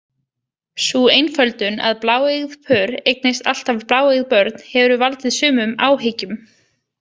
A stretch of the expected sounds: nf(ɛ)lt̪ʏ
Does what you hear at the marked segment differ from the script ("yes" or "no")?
yes